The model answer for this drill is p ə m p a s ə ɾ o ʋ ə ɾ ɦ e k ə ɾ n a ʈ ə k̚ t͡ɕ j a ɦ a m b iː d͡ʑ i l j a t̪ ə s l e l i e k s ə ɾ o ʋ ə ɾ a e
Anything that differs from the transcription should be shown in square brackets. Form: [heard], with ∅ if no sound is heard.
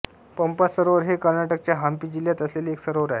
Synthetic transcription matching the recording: p ə m p a s ə ɾ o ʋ ə ɾ ɦ e k ə ɾ n a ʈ ə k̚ t͡ɕ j a ɦ a m [p] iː d͡ʑ i l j a t̪ ə s l e l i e k s ə ɾ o ʋ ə ɾ a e